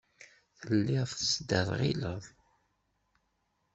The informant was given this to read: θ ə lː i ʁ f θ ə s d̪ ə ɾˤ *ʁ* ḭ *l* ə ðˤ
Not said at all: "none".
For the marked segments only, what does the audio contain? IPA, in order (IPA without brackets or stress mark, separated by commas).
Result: ʁ, l